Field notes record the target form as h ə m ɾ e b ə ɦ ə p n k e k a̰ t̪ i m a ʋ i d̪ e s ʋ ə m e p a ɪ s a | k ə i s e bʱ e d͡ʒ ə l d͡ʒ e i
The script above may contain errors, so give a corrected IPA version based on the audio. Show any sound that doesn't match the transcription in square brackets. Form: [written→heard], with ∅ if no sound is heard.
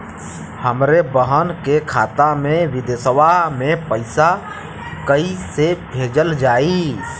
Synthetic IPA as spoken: h ə m ɾ e b ə ɦ ə [p→∅] n k e [k→kʰ] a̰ t̪ [i→a] m [a→e] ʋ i d̪ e s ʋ [ə→a] m e p [a→ə] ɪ s a | k ə i s e bʱ e d͡ʒ ə l d͡ʒ [e→a] i